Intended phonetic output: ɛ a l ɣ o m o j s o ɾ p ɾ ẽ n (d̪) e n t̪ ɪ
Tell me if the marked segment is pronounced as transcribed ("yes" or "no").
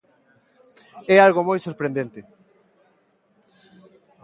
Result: yes